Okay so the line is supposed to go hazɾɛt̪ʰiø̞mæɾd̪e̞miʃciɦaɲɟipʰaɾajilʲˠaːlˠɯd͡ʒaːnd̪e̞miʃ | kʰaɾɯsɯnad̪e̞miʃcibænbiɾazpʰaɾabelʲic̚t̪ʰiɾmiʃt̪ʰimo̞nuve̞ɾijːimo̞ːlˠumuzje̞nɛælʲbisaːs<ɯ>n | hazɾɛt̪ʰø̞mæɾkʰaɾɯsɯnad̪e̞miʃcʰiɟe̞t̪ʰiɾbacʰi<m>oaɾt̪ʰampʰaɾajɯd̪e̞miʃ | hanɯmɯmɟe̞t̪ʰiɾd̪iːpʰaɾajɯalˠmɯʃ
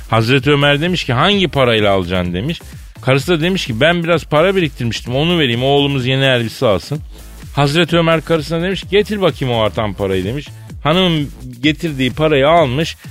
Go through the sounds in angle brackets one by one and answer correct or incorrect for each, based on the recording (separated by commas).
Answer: correct, correct